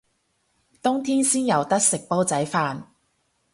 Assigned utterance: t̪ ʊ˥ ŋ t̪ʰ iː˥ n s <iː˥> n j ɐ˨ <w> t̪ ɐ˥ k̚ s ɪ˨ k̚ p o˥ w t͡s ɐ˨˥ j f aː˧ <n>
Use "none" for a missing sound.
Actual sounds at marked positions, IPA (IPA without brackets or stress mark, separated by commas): iː˥, w, n